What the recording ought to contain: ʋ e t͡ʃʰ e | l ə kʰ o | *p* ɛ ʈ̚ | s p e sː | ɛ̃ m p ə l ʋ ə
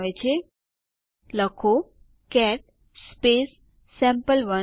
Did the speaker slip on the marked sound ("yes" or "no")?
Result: yes